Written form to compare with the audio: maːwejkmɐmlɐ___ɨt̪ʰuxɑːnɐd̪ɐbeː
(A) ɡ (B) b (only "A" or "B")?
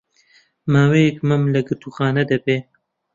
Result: A